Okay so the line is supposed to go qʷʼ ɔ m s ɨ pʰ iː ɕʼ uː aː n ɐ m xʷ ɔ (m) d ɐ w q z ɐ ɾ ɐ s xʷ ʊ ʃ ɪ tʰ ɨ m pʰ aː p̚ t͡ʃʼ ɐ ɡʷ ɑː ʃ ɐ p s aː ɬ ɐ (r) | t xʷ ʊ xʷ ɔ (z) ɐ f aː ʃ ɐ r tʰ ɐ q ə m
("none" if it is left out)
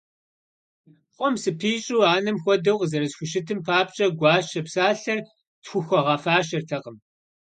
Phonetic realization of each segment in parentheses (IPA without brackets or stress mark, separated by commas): none, r, ʁ